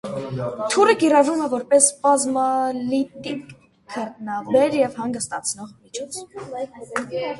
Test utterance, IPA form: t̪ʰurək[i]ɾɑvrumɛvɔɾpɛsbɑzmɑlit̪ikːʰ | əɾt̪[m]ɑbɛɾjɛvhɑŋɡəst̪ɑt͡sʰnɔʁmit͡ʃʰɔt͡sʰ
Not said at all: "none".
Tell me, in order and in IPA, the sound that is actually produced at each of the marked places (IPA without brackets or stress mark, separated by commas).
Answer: i, n